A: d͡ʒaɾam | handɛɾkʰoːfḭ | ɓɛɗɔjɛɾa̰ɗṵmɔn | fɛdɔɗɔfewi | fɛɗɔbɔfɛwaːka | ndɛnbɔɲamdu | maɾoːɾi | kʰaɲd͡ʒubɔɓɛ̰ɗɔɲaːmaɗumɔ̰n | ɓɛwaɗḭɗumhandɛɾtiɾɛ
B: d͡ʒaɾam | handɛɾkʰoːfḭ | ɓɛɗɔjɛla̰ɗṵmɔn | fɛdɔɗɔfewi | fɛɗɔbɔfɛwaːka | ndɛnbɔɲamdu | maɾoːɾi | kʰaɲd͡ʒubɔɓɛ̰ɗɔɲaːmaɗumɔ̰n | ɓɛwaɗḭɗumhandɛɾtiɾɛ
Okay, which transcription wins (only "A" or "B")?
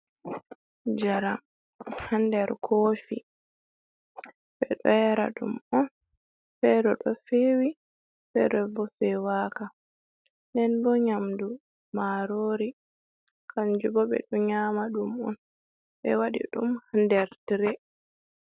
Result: A